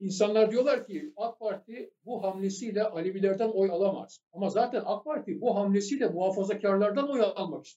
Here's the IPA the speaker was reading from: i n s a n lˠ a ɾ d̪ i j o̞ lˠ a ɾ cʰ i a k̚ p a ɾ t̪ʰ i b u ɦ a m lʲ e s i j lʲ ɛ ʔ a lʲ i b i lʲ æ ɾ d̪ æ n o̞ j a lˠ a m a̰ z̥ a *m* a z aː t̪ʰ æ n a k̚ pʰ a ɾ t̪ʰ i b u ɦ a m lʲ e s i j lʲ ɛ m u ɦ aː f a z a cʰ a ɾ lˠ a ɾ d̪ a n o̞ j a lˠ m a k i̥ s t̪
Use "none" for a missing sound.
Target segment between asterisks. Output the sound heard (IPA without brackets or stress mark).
m